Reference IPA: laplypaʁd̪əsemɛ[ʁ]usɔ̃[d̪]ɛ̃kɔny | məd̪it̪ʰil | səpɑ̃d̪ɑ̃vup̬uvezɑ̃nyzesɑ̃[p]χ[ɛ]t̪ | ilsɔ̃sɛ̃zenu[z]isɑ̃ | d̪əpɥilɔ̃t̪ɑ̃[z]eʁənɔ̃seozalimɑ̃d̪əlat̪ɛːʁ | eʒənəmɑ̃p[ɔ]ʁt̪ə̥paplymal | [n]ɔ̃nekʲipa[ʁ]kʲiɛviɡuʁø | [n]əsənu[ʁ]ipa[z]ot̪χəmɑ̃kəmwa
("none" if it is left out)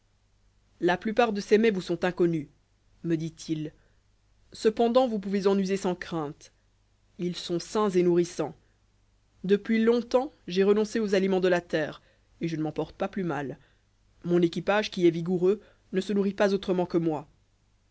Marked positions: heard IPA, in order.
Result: v, t̪, k, ɛ̃, ʁ, ʒ, ɔ, m, ʒ, n, ʁ, z

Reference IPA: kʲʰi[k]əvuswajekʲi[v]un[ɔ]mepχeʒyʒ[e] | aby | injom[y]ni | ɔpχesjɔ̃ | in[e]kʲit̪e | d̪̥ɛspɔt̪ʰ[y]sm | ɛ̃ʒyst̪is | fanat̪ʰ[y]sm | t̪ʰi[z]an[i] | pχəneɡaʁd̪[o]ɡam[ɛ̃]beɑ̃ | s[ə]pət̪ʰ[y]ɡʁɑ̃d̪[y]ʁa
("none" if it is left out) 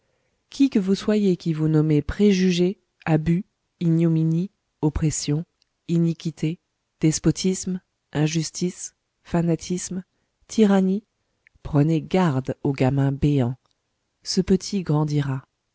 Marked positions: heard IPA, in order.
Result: k, v, ɔ, e, i, i, i, i, ʁ, i, o, ɛ̃, ə, i, i

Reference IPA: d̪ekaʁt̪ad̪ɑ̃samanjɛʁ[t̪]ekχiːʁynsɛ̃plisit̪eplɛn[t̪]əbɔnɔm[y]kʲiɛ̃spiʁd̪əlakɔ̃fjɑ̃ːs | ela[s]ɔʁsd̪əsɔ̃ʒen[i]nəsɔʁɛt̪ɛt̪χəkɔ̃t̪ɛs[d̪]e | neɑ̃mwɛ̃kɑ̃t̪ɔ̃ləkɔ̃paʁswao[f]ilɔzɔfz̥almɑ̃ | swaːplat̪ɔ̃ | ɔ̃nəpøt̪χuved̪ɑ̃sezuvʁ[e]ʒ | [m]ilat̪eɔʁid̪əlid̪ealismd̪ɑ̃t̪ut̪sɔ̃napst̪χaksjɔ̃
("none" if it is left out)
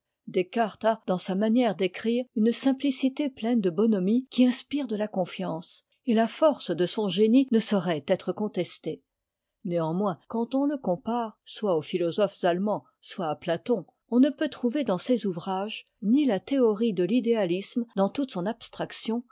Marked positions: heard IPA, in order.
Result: d̪, d̪, i, f, i, t̪, f, a, n

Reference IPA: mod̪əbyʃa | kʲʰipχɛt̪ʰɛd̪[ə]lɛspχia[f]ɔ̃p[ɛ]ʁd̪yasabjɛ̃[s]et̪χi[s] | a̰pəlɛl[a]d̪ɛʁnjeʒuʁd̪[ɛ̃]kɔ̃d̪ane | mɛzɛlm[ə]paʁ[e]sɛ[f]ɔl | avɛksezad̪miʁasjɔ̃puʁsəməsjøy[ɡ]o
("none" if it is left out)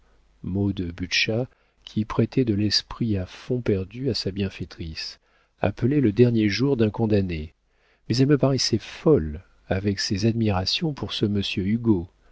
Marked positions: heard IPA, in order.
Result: ə, f, ɛ, f, s, ə, ɛ̃, ə, ɛ, f, ɡ

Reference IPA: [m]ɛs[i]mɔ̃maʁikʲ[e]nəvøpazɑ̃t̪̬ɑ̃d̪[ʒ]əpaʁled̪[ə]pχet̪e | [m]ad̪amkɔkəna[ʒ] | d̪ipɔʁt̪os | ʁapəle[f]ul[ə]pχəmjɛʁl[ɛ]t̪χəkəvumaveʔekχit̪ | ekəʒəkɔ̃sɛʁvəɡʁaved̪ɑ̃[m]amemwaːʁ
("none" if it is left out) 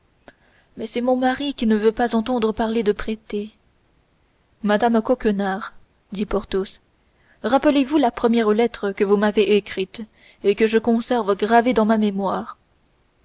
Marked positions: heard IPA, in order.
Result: m, ɛ, i, ʁ, ə, m, ʁ, v, a, ɛ, m

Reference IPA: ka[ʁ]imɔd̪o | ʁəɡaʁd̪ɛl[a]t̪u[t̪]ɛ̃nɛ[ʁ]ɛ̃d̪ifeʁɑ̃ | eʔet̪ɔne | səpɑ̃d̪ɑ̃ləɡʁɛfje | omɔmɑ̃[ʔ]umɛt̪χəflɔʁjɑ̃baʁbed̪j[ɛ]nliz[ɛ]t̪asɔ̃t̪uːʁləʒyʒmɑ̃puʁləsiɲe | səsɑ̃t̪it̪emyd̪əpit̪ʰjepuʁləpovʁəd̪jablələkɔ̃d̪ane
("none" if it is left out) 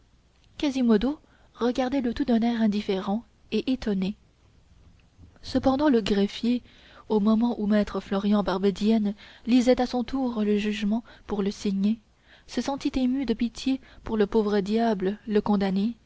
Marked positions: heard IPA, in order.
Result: z, ə, d̪, ʁ, ʔ, ɛ, ɛ

